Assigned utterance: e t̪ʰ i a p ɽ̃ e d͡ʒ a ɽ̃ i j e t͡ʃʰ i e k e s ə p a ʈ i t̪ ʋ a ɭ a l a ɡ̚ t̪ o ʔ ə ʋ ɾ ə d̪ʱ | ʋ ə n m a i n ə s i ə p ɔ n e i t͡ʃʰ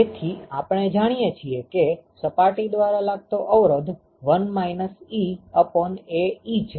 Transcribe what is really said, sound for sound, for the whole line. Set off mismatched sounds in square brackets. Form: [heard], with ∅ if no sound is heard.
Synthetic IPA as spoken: e t̪ʰ i a p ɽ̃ e d͡ʒ a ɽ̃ i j e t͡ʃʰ i e k e s ə p a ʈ i [d̪] ʋ a [ɾ] a l a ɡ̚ t̪ o ʔ ə ʋ ɾ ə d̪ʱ | ʋ ə n m a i n ə s i ə p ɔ n e i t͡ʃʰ